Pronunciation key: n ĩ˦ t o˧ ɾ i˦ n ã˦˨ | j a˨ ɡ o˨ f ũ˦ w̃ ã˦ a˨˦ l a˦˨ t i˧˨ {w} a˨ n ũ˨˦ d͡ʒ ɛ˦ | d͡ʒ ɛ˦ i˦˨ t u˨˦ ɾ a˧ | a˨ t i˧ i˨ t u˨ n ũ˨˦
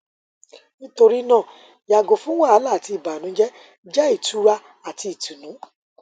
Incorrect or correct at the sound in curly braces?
incorrect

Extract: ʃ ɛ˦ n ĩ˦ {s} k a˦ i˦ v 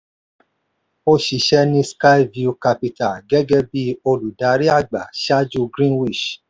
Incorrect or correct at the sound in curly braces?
correct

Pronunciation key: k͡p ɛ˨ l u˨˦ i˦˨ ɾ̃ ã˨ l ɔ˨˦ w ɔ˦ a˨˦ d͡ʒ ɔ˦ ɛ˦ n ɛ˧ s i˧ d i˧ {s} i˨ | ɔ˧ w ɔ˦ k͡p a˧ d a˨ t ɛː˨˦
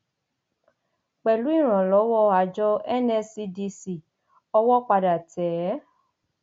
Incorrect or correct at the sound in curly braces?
correct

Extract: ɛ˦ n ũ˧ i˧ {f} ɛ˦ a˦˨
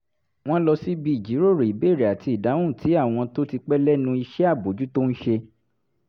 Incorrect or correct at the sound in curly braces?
incorrect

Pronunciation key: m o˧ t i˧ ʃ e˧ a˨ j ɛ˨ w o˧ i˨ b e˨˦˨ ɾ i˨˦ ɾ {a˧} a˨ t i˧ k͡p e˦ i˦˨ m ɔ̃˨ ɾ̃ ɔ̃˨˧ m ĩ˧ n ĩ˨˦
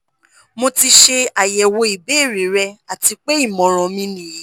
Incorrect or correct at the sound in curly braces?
incorrect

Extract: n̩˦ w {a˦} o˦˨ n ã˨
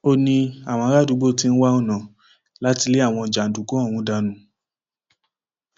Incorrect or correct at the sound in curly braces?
correct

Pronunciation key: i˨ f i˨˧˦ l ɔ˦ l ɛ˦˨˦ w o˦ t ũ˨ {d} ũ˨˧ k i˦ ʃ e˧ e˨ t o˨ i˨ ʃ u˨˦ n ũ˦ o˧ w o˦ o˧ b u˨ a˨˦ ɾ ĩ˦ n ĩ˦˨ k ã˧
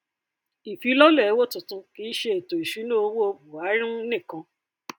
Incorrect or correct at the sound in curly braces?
incorrect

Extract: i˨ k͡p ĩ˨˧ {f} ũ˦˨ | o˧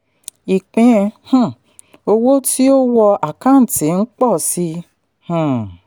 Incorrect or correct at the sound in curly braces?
incorrect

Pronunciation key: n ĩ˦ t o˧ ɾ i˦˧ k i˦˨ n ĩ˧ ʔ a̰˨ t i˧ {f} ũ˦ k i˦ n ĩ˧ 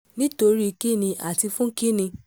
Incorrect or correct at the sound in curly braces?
correct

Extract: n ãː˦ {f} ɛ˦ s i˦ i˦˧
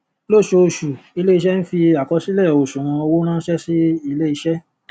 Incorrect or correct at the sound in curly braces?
incorrect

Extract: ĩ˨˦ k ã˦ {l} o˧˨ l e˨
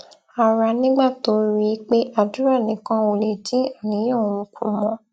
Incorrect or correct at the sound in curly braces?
incorrect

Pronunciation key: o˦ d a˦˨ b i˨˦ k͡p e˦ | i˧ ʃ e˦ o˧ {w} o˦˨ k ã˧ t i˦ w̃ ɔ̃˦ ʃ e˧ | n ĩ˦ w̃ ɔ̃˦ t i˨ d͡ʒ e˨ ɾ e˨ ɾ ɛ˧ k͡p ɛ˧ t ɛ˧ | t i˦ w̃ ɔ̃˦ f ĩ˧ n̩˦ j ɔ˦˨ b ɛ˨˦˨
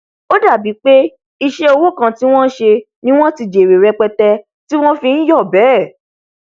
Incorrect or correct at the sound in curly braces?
correct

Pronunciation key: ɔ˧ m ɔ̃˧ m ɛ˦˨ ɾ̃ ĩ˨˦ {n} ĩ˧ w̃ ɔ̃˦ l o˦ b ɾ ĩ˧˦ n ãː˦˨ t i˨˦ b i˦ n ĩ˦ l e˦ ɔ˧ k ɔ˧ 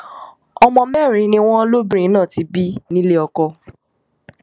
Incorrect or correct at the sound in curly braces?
correct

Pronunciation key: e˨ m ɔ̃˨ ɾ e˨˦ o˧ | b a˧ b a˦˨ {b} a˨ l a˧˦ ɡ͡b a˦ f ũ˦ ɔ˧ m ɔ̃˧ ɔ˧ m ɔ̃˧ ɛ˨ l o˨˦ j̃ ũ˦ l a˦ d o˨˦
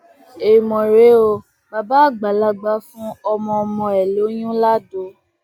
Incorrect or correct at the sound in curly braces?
incorrect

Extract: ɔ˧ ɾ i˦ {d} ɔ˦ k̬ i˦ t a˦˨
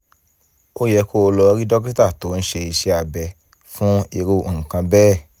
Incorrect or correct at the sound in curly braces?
correct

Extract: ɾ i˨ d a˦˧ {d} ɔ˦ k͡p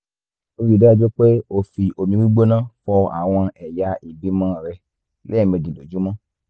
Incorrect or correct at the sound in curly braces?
incorrect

